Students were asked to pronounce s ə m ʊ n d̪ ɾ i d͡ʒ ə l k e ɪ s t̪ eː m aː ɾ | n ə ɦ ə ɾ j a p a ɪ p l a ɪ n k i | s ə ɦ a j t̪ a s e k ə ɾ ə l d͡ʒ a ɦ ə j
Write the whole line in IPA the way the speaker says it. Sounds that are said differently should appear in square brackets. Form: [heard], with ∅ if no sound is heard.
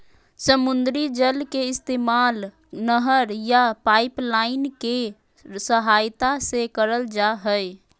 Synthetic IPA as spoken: s ə m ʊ n d̪ ɾ i d͡ʒ ə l k e ɪ s t̪ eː m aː [l] | n ə ɦ ə ɾ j a p a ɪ p l a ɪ n k [e] | s ə ɦ a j t̪ a s e k ə ɾ ə l d͡ʒ a ɦ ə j